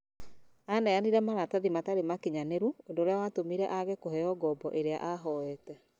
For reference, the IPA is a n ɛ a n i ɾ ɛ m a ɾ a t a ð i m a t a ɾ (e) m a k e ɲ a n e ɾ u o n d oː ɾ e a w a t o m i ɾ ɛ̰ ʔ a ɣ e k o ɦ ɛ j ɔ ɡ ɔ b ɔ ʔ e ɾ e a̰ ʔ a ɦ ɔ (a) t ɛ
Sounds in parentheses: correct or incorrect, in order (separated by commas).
correct, incorrect